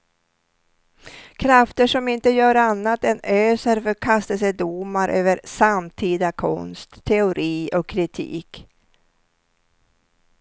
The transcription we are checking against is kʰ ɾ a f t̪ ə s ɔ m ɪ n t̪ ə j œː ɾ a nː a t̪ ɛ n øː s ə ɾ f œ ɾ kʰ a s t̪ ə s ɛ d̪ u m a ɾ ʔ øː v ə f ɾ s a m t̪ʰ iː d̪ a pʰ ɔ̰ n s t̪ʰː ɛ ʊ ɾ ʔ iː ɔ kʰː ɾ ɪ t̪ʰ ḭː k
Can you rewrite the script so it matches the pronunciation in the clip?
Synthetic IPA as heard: kʰ ɾ a f t̪ ə ʂ ɔ m ɪ n t̪ ə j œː ɾ a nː a t̪ ɛ n øː s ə ɾ f œ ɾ kʰ a s t̪ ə s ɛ d̪ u m a ɾ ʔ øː v ə ɾ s a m t̪ʰ iː d̪ a kʰ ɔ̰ n s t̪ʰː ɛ ʊ ɾ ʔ iː ɔ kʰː ɾ ɪ t̪ʰ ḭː k